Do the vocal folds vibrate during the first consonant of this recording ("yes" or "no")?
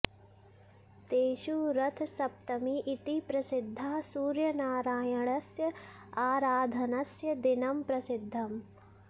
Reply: no